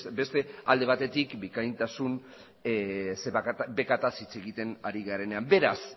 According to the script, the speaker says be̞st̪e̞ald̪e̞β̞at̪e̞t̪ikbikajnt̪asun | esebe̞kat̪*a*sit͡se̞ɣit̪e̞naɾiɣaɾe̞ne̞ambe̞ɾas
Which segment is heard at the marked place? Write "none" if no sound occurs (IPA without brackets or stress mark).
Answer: a